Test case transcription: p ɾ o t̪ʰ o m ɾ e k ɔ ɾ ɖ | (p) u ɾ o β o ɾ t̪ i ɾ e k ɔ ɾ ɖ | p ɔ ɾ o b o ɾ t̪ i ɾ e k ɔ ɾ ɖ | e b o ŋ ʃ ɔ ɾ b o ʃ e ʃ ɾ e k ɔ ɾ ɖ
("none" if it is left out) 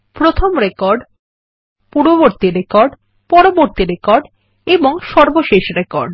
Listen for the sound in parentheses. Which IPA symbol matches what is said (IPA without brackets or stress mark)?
p